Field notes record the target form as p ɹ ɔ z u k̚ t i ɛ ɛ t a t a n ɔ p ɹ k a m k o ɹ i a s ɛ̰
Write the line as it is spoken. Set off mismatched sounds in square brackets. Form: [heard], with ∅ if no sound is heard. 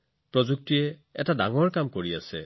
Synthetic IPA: p ɹ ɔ z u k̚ t i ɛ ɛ t a [d] a [ŋ] ɔ [∅] ɹ k a m k o ɹ i a s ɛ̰